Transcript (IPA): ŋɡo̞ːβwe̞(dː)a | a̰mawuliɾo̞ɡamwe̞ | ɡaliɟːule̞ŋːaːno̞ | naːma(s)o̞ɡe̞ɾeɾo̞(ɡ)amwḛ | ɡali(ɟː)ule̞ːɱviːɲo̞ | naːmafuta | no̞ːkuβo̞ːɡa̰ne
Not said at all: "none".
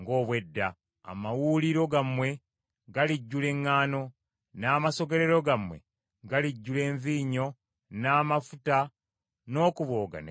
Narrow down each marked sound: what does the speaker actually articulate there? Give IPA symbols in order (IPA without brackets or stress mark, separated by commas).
dː, s, ɡ, ɟː